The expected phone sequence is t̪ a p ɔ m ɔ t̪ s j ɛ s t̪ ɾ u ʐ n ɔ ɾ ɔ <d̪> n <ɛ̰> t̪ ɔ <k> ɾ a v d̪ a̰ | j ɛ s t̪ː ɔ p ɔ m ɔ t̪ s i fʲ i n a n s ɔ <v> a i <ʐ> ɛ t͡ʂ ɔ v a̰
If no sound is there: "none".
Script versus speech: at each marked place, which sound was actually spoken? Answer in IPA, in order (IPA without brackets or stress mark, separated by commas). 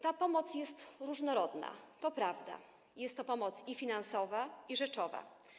d̪, a̰, p, v, ʐ